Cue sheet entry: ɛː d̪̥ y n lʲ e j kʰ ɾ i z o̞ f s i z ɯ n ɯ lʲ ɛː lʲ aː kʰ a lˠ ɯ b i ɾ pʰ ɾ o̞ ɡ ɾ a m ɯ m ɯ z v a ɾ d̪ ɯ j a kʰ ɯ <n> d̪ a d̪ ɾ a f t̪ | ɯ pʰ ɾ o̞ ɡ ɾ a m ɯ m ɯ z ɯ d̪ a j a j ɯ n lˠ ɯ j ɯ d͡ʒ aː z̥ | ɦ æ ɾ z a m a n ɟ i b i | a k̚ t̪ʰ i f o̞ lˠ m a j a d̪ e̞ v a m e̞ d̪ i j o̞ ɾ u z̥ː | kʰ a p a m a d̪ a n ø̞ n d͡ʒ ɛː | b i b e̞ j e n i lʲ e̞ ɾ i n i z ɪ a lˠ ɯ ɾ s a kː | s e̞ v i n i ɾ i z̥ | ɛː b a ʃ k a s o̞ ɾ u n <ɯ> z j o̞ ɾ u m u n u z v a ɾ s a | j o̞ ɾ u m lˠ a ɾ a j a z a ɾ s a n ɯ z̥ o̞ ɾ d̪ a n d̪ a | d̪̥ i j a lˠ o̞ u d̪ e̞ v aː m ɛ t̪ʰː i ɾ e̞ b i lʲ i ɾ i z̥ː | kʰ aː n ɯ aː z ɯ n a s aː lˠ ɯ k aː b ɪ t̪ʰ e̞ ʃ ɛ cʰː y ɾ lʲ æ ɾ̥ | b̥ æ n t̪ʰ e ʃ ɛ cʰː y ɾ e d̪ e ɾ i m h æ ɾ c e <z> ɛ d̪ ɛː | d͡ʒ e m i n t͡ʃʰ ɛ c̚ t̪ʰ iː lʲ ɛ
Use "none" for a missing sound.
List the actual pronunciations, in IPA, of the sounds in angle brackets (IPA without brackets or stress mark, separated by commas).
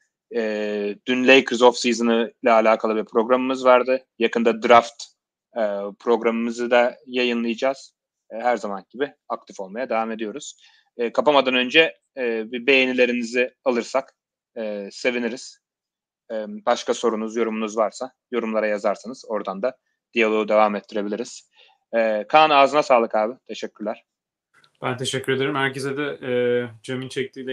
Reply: n, u, z